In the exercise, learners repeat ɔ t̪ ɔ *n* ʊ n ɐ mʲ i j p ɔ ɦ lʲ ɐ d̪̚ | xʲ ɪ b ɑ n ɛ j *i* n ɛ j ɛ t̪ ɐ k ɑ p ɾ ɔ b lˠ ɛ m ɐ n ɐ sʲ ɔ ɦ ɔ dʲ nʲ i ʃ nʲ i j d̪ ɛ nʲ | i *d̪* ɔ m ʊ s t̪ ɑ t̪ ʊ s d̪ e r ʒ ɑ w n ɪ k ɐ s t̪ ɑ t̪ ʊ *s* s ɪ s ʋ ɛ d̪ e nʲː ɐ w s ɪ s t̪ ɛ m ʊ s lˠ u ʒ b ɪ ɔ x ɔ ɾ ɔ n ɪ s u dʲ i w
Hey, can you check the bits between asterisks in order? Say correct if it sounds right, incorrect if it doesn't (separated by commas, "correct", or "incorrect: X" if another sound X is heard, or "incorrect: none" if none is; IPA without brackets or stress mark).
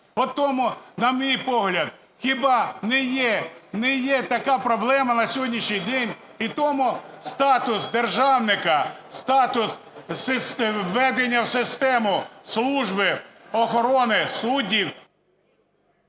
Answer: incorrect: m, incorrect: ɛ, incorrect: t̪, correct